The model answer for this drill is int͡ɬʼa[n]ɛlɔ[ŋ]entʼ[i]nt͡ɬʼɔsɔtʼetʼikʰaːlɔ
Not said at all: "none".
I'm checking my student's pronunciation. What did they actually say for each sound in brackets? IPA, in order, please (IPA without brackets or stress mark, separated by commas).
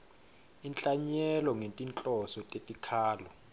ɲ, ŋ, i